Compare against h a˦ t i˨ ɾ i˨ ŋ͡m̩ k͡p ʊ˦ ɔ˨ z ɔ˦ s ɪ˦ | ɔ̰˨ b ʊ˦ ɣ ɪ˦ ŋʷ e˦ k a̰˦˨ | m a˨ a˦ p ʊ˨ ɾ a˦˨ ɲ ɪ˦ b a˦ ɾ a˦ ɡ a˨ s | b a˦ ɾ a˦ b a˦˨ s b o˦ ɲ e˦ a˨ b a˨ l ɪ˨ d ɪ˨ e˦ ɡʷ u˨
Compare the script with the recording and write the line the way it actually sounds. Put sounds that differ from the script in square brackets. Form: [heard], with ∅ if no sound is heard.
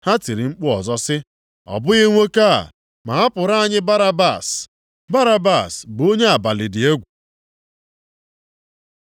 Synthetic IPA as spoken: h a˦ t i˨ ɾ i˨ ŋ͡m̩ k͡p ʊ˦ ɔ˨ z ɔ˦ s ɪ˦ | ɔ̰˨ b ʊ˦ ɣ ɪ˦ ŋʷ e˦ k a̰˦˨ | m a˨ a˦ p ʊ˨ ɾ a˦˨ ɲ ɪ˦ b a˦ ɾ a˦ [b] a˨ s | b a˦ ɾ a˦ b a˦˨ s b o˦ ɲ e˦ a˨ b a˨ l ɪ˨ d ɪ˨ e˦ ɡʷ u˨